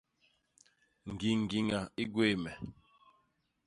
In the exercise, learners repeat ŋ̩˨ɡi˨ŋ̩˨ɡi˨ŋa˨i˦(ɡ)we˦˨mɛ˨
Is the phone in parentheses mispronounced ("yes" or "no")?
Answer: no